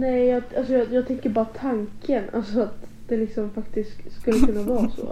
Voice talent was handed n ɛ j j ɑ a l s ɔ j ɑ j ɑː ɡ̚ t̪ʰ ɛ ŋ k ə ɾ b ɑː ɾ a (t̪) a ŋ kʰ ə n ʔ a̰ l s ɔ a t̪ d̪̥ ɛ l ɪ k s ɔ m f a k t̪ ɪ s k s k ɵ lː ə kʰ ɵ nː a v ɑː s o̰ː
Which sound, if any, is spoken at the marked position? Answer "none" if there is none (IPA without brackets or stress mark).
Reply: t̪ʰ